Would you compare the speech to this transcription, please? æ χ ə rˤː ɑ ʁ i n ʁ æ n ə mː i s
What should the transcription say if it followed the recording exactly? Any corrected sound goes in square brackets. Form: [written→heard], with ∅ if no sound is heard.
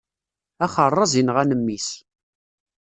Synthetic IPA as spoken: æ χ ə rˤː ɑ [ʁ→z] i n ʁ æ n ə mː i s